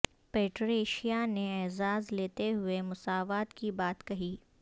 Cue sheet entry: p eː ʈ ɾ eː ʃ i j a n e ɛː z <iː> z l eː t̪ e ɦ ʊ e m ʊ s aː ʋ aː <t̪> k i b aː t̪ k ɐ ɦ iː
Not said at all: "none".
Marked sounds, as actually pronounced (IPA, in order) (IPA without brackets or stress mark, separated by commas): aː, t̪